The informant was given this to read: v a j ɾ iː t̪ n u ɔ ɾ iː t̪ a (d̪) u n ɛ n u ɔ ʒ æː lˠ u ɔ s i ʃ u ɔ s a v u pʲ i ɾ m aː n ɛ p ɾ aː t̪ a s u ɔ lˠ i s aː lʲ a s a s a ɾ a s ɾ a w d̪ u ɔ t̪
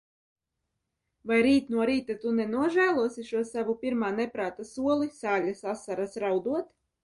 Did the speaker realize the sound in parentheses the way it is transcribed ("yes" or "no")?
no